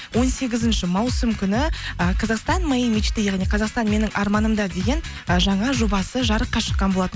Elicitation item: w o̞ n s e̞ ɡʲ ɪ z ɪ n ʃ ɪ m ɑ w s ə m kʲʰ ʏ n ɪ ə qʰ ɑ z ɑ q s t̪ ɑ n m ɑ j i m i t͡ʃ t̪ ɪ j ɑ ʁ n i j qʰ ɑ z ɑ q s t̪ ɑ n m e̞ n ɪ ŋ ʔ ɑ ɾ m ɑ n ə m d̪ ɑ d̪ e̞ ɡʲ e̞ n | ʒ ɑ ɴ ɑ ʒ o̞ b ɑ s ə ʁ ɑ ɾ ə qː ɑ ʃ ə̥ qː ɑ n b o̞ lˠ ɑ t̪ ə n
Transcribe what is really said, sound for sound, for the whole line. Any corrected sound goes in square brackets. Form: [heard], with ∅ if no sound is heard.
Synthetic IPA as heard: w o̞ n s e̞ ɡʲ ɪ z ɪ n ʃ ɪ m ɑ w s ə m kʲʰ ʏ n ɪ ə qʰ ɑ z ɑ q s t̪ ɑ n m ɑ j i m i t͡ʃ t̪ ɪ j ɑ ʁ n i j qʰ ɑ z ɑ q s t̪ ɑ n m e̞ n ɪ ŋ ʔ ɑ ɾ m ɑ n ə m d̪ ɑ d̪ e̞ ɡʲ e̞ n | ʒ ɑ ɴ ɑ ʒ o̞ b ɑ s ə [ʒ] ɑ ɾ ə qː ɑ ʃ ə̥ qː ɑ n b o̞ lˠ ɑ t̪ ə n